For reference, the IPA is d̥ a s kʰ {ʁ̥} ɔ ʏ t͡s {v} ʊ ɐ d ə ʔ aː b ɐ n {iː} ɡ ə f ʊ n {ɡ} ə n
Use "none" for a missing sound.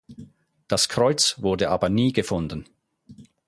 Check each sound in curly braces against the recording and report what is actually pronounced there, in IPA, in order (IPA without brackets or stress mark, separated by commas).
ʁ̥, v, iː, d